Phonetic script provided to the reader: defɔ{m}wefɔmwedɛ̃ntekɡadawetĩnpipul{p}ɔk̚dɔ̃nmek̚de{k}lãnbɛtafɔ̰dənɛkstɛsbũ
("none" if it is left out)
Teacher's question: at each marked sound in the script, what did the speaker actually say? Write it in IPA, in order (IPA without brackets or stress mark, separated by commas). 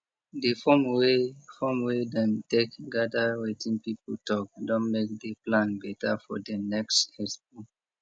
m, t, p